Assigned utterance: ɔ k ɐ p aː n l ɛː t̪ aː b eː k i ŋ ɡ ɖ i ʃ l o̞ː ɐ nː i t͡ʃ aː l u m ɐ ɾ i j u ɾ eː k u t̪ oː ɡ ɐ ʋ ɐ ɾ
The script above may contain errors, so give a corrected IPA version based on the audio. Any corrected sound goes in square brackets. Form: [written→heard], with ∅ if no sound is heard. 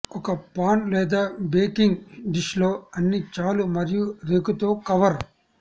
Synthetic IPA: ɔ k ɐ p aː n l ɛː [t̪→d̪] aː b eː k i ŋ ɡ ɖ i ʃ l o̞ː ɐ nː i t͡ʃ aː l u m ɐ ɾ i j u ɾ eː k u t̪ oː [ɡ→k] ɐ ʋ ɐ ɾ